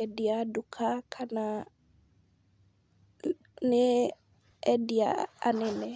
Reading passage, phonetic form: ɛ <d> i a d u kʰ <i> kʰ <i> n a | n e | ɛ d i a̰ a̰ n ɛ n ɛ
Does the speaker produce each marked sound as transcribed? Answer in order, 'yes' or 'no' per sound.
yes, no, no

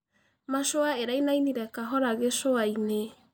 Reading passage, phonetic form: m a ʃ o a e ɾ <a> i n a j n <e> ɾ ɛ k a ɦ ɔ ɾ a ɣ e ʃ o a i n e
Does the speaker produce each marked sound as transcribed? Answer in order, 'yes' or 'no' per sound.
yes, no

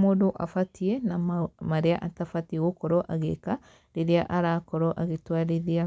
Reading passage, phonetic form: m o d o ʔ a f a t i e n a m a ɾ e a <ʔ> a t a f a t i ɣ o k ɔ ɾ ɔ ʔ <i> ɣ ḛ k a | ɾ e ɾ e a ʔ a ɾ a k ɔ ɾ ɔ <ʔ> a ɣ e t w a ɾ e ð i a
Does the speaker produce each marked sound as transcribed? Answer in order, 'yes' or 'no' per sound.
yes, no, yes

